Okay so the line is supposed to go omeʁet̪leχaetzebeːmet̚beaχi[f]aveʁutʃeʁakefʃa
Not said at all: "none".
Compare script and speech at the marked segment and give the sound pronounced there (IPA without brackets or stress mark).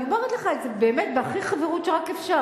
χ